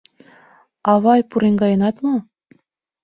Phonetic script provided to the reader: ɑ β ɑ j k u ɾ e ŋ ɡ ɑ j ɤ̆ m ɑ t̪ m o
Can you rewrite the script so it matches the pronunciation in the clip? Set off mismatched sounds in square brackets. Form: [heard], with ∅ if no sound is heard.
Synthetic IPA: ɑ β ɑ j [p] u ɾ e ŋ ɡ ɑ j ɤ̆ [n] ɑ t̪ m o